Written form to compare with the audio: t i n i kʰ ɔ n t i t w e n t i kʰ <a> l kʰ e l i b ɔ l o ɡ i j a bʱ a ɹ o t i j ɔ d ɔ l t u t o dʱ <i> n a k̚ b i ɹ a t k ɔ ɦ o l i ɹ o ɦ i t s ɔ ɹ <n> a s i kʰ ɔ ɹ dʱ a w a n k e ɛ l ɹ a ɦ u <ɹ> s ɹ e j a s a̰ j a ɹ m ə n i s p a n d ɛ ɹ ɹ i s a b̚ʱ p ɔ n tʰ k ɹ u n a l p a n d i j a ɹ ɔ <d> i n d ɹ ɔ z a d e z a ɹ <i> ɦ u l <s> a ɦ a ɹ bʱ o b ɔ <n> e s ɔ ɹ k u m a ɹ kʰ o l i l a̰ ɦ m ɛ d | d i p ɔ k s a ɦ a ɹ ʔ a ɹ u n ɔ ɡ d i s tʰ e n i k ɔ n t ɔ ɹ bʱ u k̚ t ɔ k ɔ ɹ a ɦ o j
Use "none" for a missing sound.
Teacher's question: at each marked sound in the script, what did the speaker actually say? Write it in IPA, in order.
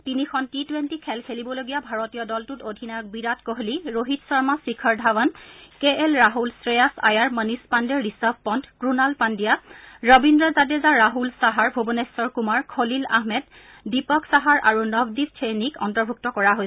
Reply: ɛ, i, m, l, b, a, s, n

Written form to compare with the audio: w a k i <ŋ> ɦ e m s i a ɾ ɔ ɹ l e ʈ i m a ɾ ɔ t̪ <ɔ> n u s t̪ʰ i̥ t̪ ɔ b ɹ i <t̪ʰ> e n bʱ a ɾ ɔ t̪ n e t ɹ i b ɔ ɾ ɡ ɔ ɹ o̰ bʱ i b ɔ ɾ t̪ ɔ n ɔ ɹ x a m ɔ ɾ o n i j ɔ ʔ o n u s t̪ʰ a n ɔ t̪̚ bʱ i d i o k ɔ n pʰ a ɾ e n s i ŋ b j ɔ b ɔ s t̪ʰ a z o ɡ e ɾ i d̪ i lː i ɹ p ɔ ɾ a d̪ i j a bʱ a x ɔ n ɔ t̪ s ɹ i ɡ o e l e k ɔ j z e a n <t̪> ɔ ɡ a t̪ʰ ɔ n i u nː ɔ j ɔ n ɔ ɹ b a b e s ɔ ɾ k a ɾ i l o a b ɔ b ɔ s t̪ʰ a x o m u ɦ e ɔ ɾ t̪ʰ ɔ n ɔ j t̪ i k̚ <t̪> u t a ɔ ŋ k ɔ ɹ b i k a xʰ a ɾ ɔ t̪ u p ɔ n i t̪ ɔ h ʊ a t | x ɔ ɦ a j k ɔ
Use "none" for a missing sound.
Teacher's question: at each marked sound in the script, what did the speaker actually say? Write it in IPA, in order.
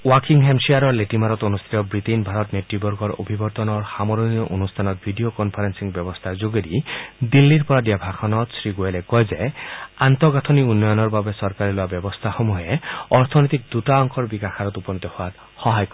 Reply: ŋ, o, t̪, t̪, d̪

